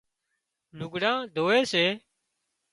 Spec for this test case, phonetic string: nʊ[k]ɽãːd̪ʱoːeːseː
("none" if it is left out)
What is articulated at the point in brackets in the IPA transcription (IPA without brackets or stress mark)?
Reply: ɡ